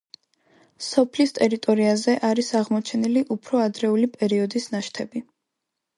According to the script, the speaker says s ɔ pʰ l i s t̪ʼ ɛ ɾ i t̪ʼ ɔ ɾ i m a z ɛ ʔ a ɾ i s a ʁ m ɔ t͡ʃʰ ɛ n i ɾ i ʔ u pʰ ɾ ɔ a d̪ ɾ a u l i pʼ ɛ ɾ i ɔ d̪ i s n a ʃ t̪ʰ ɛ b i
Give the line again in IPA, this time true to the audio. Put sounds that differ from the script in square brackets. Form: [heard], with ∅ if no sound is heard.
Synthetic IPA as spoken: s ɔ pʰ l i s t̪ʼ ɛ ɾ i t̪ʼ ɔ ɾ i [∅] a z ɛ ʔ a ɾ i s a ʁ m ɔ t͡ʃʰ ɛ n i [l] i ʔ u pʰ ɾ ɔ a d̪ ɾ [ɛ] u l i pʼ ɛ ɾ i ɔ d̪ i s n a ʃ t̪ʰ ɛ b i

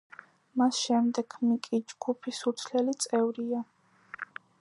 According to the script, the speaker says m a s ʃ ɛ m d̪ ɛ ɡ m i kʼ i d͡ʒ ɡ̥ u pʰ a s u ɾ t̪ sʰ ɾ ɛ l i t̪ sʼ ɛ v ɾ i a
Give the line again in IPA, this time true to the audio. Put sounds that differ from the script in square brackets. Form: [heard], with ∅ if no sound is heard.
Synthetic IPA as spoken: m a s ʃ ɛ m d̪ ɛ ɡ m i kʼ i d͡ʒ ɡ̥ u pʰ [i] s u ɾ t̪ sʰ [l] ɛ l i t̪ sʼ ɛ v ɾ i a

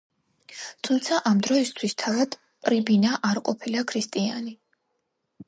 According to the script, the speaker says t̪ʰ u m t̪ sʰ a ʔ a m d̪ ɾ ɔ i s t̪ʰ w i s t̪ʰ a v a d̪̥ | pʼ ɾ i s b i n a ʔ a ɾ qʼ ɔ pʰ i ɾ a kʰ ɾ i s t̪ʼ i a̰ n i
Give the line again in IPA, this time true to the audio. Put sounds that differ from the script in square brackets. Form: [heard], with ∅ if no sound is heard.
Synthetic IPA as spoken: t̪ʰ u m t̪ sʰ a ʔ a m d̪ ɾ ɔ i s t̪ʰ w i s t̪ʰ a v a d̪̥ | pʼ ɾ i [∅] b i n a ʔ a ɾ qʼ ɔ pʰ i [l] a kʰ ɾ i s t̪ʼ i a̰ n i

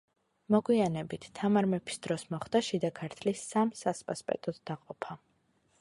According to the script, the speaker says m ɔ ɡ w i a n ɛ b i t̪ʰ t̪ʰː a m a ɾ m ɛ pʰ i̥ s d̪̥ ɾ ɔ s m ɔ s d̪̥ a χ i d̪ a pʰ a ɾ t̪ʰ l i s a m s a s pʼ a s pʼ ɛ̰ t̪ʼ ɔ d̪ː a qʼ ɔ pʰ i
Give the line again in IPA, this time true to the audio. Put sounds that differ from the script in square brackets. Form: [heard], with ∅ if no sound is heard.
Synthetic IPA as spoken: m ɔ ɡ w i a n ɛ b i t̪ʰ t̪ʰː a m a ɾ m ɛ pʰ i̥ s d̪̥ ɾ ɔ s m ɔ [χ] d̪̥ a [ʃ] i d̪ a [kʰ] a ɾ t̪ʰ l i s a m s a s pʼ a s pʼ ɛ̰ t̪ʼ ɔ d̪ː a qʼ ɔ pʰ [a]

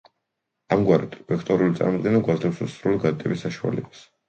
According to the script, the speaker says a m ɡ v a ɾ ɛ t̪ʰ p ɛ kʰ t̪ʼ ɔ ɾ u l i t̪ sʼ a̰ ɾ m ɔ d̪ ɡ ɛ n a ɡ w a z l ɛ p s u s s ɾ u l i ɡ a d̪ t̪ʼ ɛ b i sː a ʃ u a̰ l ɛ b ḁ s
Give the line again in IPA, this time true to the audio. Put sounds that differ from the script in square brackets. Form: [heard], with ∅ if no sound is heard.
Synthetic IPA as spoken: a m ɡ [w] a ɾ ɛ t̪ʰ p ɛ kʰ t̪ʼ ɔ ɾ u l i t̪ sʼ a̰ ɾ m ɔ d̪ ɡ ɛ n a ɡ w a z l ɛ p s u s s ɾ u l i ɡ a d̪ t̪ʼ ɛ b i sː a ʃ u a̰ l ɛ b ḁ s

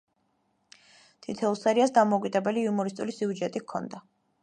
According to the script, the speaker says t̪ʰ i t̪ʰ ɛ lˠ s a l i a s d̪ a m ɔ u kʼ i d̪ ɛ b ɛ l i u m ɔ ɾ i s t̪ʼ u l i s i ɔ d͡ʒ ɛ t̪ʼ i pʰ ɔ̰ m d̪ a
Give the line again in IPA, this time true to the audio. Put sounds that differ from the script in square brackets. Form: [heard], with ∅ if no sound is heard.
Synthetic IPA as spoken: t̪ʰ i t̪ʰ ɛ lˠ s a [ɾ] i a s d̪ a m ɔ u kʼ i d̪ ɛ b ɛ l i u m ɔ ɾ i s t̪ʼ u l i s i [u] d͡ʒ ɛ t̪ʼ i [kʰ] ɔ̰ [n] d̪ a

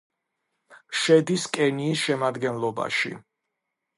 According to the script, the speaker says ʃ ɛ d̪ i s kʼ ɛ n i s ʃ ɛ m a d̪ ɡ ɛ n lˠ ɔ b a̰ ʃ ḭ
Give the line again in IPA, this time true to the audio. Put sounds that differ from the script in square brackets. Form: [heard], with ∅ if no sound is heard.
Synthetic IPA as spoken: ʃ ɛ d̪ i s kʼ ɛ n [iː] s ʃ ɛ m a d̪ ɡ ɛ n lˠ ɔ b a̰ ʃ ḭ

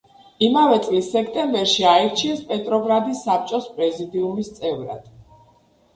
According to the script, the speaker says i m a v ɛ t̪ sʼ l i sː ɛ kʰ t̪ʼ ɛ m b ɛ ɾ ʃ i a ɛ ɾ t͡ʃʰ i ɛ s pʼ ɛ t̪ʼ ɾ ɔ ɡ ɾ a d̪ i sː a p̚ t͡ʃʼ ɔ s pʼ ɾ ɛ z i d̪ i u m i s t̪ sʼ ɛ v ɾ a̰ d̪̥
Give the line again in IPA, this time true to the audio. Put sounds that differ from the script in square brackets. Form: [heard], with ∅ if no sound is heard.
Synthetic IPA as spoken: i m a v ɛ t̪ sʼ l i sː ɛ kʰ t̪ʼ ɛ m b ɛ ɾ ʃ i a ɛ ɾ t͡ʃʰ i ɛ s pʼ ɛ t̪ʼ ɾ ɔ ɡ ɾ a d̪ i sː a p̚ t͡ʃʼ ɔ s pʼ ɾ ɛ z i d̪ i u m i s t̪ sʼ ɛ v ɾ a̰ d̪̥

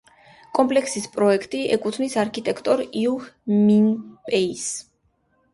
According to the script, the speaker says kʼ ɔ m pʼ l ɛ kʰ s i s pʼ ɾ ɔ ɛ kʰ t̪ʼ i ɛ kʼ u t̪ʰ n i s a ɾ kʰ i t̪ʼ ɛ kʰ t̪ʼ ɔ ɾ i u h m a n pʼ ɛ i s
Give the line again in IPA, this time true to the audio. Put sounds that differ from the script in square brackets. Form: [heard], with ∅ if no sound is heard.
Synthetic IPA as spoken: kʼ ɔ m pʼ l ɛ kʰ s i s pʼ ɾ ɔ ɛ kʰ t̪ʼ i ɛ kʼ u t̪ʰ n i s a ɾ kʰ i t̪ʼ ɛ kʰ t̪ʼ ɔ ɾ i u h m [i] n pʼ ɛ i s

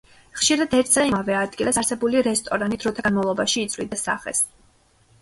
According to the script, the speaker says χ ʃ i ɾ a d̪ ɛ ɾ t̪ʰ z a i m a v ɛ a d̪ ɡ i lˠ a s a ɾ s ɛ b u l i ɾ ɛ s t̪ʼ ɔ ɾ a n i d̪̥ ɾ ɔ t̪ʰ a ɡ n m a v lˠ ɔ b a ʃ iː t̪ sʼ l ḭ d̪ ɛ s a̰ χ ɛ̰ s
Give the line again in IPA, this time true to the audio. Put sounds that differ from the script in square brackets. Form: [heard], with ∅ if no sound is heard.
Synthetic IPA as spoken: χ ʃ i ɾ a d̪ ɛ ɾ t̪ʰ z a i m a v ɛ a d̪ ɡ i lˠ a s a ɾ s ɛ b u l i ɾ ɛ s t̪ʼ ɔ ɾ a n i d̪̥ ɾ ɔ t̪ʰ a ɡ n m a v lˠ ɔ b a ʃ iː t̪ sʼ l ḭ d̪ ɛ s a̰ χ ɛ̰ s

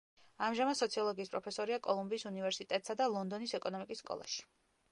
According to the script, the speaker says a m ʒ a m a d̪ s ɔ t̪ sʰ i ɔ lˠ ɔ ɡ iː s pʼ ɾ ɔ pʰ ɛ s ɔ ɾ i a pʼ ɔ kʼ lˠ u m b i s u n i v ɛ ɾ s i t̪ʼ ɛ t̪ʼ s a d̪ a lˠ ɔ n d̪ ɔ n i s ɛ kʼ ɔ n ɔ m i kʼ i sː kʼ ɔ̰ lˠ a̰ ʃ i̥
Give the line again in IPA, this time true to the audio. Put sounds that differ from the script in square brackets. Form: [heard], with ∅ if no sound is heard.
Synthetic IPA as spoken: a m ʒ a m a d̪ s ɔ t̪ sʰ i ɔ lˠ ɔ ɡ iː s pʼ ɾ ɔ pʰ ɛ s ɔ ɾ i a [kʼ] ɔ [∅] lˠ u m b [iː] s u n i v ɛ ɾ s i t̪ʼ ɛ t̪ʼ s a d̪ a lˠ ɔ n d̪ ɔ n i s ɛ kʼ ɔ n ɔ m i kʼ i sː kʼ ɔ̰ lˠ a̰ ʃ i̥

